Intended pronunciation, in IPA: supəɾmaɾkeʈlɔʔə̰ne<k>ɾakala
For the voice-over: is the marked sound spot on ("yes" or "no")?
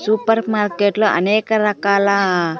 yes